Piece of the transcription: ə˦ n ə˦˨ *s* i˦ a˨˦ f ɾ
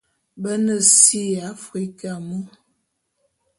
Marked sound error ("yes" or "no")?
no